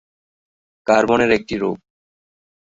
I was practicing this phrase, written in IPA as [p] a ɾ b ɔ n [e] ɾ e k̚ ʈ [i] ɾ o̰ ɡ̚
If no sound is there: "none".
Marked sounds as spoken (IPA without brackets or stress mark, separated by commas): k, e, i